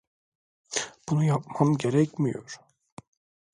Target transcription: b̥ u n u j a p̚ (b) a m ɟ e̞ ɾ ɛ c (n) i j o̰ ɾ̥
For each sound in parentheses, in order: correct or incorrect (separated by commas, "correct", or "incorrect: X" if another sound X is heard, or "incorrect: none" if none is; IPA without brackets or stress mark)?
incorrect: m, incorrect: m